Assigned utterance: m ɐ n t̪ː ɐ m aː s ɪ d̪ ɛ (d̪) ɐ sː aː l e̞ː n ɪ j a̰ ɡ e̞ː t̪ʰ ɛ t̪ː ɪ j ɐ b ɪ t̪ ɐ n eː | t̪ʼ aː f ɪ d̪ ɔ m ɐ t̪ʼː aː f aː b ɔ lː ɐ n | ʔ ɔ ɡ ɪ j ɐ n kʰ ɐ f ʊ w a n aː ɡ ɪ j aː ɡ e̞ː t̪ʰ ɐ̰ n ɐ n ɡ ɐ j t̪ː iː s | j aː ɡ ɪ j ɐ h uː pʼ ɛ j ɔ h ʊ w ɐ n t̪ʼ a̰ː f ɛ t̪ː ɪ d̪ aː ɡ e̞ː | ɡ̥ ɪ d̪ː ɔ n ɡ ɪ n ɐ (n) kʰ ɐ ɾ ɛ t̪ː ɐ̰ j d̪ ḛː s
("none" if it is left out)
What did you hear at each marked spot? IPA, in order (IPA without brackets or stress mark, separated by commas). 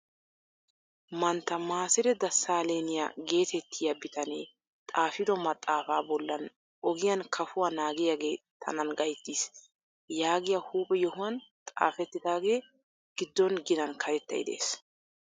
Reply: d̪, n